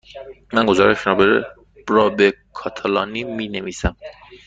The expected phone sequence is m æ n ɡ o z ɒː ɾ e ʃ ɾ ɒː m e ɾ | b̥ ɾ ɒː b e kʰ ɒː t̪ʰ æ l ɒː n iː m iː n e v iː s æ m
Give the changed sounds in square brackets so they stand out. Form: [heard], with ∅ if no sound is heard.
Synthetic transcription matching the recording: m æ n ɡ o z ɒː ɾ e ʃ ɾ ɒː [b] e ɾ | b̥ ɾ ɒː b e kʰ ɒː t̪ʰ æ l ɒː n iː m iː n e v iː s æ m